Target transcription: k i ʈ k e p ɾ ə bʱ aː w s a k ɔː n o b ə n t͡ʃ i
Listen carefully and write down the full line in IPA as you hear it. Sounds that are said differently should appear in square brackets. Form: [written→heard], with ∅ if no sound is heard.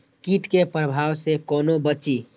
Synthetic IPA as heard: k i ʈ k e p ɾ ə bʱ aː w s [a→e] k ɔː n o b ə [n→∅] t͡ʃ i